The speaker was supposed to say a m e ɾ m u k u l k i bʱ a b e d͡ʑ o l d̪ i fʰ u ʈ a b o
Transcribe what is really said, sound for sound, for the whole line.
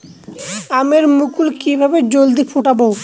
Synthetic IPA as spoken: a m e ɾ m u k u l k i bʱ a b e d͡ʑ o l d̪ i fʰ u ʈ a b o